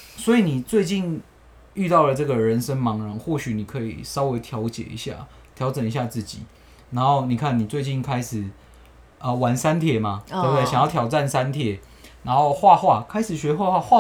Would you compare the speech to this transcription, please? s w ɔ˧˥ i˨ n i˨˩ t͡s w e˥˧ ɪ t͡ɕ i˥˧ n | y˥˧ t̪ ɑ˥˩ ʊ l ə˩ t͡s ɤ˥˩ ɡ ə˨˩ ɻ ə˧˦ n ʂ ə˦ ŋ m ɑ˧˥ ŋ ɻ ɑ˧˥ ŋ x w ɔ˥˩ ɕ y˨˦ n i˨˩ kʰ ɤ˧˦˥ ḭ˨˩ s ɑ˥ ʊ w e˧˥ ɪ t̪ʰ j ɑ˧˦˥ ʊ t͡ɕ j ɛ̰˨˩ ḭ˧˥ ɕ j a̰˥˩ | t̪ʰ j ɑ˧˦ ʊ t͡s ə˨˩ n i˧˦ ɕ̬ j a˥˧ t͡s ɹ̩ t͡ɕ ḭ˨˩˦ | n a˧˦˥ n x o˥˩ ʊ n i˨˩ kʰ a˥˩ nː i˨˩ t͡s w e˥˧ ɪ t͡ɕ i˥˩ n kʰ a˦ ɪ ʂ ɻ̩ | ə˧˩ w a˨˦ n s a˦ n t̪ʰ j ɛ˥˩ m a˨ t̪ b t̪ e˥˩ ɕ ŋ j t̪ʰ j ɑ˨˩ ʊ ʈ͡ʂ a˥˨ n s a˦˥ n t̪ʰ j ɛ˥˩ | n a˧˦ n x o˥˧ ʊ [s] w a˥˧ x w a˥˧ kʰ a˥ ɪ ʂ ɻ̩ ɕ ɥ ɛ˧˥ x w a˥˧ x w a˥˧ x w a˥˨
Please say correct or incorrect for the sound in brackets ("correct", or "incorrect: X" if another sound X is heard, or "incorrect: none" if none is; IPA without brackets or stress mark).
incorrect: x